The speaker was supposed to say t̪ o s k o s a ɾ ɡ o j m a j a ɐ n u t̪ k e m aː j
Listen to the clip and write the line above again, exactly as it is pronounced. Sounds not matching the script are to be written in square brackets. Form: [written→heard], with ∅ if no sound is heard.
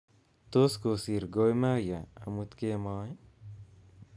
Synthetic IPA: t̪ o s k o s [a→i] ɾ ɡ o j m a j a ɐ [n→m] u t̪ k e m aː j